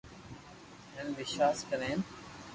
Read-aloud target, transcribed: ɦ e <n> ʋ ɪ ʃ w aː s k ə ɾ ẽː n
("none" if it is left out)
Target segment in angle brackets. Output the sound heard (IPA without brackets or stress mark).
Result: n